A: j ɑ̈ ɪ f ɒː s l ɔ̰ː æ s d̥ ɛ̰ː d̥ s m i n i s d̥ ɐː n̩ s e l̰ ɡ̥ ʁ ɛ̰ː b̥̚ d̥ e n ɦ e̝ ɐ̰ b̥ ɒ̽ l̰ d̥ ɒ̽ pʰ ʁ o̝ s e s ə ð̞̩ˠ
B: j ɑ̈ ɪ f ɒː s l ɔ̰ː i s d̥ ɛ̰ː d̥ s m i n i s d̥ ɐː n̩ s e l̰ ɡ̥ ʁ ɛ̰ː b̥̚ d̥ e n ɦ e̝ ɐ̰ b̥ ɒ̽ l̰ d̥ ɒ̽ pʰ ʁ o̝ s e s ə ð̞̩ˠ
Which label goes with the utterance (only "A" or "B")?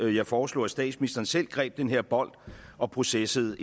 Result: A